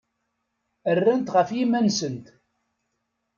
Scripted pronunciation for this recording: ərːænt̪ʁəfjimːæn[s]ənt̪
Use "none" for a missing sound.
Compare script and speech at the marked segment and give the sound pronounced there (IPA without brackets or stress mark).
s